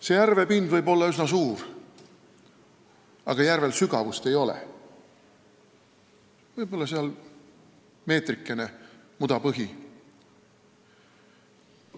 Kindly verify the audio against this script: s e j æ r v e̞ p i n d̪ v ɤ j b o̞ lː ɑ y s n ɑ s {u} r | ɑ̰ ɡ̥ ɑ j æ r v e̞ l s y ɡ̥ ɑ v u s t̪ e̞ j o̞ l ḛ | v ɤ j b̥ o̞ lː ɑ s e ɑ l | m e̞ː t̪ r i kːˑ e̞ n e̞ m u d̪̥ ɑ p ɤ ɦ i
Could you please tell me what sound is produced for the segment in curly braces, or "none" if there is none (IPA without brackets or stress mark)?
uː